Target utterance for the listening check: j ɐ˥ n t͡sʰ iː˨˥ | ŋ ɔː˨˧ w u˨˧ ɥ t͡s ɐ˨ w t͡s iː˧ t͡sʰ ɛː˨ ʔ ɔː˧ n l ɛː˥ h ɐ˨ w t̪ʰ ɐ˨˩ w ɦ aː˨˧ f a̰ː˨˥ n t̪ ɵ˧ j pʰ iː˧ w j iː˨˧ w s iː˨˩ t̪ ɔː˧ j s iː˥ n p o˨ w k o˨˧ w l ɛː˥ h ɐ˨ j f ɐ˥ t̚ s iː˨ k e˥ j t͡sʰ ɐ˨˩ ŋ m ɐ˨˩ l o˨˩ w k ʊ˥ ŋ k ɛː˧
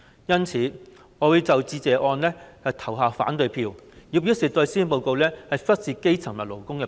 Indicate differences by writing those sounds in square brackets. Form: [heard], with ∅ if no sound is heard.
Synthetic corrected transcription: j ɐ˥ n t͡sʰ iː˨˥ | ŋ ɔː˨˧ w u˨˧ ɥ t͡s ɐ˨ w t͡s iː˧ [t͡s] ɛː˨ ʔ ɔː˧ n l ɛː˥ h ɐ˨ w t̪ʰ ɐ˨˩ w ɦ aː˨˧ f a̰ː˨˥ n t̪ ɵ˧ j pʰ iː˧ w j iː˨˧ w s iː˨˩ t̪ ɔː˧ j s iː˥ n p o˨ w k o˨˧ w l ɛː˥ h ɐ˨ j f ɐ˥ t̚ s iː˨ k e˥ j t͡sʰ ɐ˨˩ ŋ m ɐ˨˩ l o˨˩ w k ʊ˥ ŋ k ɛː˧